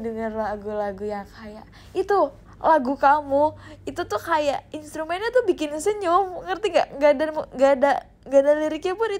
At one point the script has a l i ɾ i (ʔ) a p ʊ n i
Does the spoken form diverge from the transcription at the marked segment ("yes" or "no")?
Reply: yes